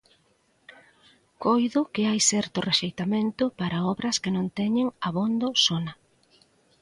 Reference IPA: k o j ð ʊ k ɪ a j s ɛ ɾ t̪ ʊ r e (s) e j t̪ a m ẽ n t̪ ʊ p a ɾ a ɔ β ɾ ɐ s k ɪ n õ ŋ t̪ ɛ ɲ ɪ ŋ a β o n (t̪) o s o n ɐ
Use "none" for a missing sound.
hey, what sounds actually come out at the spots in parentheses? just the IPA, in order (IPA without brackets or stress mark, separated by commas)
ʃ, d̪